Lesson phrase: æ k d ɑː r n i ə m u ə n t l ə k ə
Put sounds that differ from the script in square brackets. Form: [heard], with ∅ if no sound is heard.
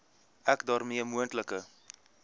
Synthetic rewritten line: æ k d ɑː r [m] i ə m u ə n t l ə k ə